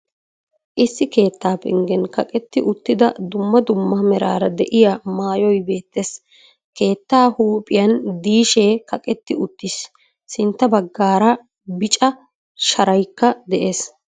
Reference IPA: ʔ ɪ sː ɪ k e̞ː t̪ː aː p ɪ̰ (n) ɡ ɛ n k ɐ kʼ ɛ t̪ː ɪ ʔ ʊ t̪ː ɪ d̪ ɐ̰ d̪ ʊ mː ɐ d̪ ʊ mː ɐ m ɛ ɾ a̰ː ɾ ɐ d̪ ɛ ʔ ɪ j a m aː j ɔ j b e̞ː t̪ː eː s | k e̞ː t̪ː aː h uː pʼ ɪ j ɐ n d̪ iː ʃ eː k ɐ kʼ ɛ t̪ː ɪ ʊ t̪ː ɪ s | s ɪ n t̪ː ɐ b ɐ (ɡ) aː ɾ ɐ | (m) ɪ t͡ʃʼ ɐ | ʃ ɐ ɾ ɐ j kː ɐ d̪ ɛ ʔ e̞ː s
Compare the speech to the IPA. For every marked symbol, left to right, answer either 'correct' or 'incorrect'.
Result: incorrect, incorrect, incorrect

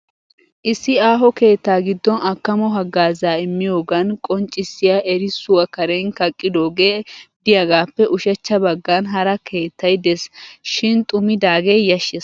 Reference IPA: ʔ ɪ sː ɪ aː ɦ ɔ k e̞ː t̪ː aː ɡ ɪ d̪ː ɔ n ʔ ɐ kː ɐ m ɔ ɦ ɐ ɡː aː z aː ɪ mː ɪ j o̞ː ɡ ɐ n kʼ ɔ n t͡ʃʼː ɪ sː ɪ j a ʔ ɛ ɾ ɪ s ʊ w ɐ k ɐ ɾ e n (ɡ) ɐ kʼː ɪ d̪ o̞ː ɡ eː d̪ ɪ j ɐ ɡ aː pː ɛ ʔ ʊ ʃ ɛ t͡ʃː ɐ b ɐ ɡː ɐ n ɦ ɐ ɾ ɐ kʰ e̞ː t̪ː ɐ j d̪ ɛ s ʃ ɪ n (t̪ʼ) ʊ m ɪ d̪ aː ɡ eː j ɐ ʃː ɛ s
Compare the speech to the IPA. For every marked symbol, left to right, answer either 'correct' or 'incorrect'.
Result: incorrect, correct

